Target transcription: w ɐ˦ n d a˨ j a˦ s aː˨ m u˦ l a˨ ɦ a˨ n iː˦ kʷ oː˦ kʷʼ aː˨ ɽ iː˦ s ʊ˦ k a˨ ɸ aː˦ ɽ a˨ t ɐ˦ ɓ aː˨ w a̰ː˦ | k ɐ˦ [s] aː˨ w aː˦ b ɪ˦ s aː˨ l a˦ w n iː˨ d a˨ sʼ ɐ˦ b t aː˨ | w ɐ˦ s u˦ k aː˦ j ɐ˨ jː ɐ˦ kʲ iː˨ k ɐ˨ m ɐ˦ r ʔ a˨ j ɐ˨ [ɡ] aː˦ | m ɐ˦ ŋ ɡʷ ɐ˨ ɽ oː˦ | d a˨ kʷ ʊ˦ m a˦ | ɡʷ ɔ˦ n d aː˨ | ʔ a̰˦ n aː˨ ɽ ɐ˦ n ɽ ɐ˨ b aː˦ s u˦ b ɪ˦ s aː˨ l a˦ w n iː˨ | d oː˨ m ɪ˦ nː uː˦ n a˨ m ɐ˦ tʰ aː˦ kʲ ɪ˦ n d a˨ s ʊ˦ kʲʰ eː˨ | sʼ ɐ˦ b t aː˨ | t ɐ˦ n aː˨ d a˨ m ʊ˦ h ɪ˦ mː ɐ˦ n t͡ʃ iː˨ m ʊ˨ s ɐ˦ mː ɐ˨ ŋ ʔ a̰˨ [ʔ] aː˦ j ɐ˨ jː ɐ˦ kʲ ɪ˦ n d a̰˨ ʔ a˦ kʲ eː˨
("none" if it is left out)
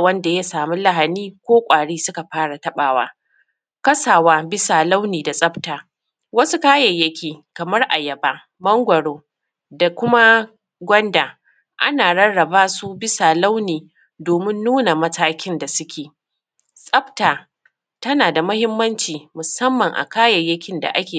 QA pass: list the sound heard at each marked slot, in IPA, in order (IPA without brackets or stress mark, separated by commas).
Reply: s, b, k